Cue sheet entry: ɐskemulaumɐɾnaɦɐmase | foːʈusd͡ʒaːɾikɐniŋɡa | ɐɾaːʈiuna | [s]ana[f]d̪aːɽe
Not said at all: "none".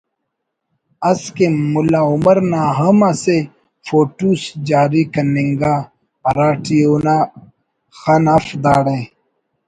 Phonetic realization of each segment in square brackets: x, f

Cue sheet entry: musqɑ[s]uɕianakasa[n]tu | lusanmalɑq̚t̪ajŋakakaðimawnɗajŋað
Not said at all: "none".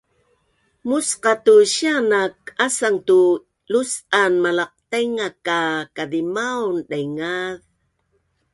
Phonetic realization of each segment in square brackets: t, ŋ

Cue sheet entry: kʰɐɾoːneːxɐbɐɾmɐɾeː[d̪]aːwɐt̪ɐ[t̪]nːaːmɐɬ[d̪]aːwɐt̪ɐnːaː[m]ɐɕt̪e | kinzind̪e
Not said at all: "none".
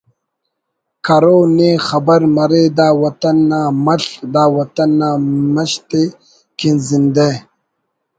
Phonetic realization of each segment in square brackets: d̪, none, d̪, m

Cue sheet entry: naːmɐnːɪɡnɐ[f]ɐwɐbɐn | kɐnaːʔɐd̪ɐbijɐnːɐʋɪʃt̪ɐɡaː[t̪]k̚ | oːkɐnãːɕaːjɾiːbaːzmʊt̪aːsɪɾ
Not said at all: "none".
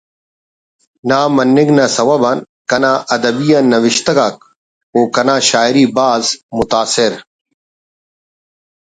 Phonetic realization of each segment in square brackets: s, none

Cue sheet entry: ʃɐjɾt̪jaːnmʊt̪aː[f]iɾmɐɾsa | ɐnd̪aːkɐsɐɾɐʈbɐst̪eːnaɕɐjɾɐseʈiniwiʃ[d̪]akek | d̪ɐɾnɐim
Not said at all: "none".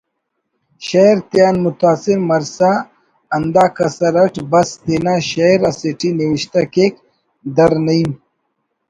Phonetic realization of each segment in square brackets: s, t̪

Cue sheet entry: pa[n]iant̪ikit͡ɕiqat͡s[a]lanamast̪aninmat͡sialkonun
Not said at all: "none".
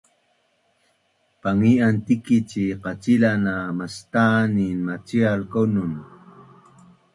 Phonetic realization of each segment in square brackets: ŋ, i

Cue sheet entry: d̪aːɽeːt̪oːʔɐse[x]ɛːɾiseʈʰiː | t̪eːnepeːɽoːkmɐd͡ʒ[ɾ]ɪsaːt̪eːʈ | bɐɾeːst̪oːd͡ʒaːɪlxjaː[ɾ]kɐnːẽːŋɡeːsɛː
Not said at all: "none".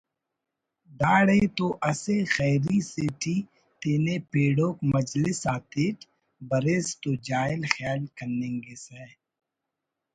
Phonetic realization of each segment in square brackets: x, l, l

